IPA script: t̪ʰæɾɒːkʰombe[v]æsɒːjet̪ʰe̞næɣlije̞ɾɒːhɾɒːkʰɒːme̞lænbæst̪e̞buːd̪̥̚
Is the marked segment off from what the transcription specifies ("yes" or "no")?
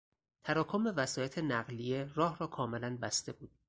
no